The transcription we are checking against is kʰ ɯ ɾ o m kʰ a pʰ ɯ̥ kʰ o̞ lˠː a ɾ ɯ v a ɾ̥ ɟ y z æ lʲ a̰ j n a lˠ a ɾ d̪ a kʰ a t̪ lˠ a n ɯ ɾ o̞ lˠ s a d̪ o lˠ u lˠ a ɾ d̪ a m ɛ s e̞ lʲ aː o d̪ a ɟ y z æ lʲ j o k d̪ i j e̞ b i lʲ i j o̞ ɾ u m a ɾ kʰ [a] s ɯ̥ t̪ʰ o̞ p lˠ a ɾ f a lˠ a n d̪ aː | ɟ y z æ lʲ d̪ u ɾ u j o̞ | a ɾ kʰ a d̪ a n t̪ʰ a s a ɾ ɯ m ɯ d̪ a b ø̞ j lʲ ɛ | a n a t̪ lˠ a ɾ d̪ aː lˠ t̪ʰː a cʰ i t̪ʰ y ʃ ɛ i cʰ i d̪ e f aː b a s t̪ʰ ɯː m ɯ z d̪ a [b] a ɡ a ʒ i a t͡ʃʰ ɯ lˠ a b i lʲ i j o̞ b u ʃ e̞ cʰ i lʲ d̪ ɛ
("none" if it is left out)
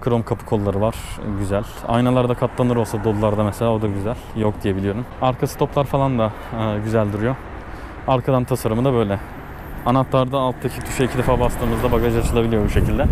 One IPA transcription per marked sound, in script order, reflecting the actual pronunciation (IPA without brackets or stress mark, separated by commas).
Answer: a, b